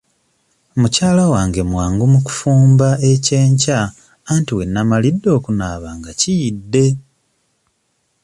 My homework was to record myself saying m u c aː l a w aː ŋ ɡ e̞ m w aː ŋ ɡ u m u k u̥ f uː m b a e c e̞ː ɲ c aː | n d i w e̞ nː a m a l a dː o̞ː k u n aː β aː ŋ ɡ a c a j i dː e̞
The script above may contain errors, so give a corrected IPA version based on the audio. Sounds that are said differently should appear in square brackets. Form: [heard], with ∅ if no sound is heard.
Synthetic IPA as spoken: m u c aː l a w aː ŋ ɡ e̞ m w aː ŋ ɡ u m u k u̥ f uː m b a e c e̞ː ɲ c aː | n [t] i w e̞ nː a m a l [i] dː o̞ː k u n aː β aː ŋ ɡ a c [i] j i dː e̞